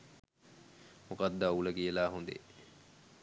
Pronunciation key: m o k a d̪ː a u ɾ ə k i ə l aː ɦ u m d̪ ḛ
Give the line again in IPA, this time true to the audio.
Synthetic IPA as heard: m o k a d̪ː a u l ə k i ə l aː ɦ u n d̪ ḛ